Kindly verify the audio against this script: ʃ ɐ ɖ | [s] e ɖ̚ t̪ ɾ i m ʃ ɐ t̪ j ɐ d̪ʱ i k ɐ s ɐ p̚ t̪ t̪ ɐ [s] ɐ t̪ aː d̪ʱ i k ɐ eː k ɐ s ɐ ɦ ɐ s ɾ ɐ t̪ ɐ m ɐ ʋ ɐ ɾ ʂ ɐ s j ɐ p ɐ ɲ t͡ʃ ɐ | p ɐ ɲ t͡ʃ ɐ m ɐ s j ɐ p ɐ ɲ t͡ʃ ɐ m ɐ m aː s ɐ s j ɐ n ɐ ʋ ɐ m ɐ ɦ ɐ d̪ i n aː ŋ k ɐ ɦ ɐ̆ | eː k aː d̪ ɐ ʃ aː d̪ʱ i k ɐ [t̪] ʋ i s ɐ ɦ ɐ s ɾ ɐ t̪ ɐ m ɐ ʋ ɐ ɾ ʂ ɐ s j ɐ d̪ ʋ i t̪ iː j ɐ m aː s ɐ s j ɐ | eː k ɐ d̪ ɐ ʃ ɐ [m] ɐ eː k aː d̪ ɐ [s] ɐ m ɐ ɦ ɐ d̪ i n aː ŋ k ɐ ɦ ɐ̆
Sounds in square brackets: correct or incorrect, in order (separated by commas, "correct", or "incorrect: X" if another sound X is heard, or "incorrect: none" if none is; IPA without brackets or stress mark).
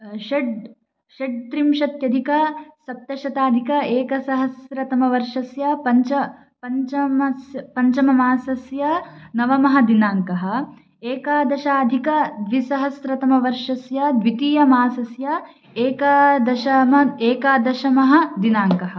incorrect: ʃ, incorrect: ʃ, incorrect: d̪, correct, incorrect: ʃ